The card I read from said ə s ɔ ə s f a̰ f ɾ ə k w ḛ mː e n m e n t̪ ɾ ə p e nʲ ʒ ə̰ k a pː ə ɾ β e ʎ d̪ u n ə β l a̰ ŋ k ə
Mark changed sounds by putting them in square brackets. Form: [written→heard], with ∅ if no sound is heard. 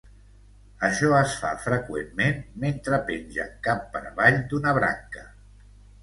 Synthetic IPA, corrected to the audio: ə [s→ʃ] ɔ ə s f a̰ f ɾ ə k w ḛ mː e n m e n t̪ ɾ ə p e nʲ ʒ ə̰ k a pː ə ɾ β [e→a] ʎ d̪ u n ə β [l→ɾ] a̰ ŋ k ə

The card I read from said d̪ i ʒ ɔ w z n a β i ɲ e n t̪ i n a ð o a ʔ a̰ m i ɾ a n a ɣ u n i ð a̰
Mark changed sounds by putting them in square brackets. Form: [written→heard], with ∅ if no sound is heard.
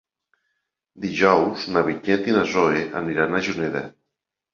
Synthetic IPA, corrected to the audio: d̪ i ʒ ɔ w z n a β i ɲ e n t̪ i n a [ð→z] o [a→e] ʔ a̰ [m→n] i ɾ a n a [ɣ→ʒ] u n [i→e] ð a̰

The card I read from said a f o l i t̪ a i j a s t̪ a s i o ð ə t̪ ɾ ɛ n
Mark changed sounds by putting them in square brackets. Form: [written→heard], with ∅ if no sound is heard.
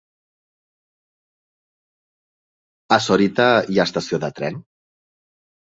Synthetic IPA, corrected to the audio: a [f→s] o [l→ɾ] i t̪ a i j a s t̪ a s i o ð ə t̪ ɾ ɛ n

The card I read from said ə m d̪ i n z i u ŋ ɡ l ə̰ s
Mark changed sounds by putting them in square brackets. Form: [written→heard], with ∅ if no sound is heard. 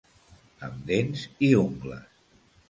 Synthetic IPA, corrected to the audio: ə m d̪ [i→e] n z i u ŋ ɡ l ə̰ s

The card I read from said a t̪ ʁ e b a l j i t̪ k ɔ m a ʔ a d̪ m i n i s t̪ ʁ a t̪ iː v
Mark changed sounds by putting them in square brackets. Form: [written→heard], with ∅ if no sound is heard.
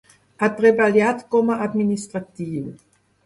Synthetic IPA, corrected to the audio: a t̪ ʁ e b a l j [i→a] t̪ k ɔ m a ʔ a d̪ m i n i s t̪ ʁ a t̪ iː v

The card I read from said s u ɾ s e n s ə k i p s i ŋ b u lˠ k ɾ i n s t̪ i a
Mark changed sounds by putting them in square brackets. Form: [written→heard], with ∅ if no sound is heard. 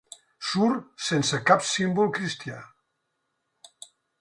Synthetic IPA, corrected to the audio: s u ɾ s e n s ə k [i→a] p s i [ŋ→m] b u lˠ k ɾ i [n→∅] s t̪ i a

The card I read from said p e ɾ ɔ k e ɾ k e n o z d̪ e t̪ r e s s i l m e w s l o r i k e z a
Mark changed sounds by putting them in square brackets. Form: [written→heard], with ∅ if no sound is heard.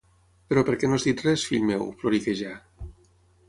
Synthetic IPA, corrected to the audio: p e ɾ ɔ [k→p] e ɾ k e n o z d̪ [e→i] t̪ r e s [s→f] i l m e w [s→f] l o [r→ɾ] i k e [z→ʒ] a

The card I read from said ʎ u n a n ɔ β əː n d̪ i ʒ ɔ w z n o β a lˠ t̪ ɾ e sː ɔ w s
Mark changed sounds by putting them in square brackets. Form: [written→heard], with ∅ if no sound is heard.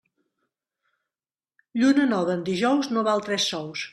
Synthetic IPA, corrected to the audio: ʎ u n [a→ə] n ɔ β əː n d̪ i ʒ ɔ w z n o β a lˠ t̪ ɾ [e→ɛ] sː ɔ w s

